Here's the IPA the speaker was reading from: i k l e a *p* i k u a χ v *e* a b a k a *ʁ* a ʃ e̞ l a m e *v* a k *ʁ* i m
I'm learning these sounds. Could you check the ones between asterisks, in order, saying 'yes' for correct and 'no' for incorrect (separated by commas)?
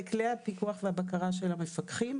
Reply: yes, yes, yes, no, no